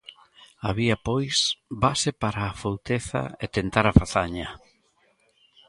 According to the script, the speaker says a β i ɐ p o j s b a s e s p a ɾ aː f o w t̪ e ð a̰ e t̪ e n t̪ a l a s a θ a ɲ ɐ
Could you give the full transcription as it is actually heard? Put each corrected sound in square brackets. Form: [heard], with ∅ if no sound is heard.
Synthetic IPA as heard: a β i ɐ p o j s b a s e [∅] p a ɾ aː f o w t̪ e [θ] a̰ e t̪ e n t̪ a [ɾ] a [f] a θ a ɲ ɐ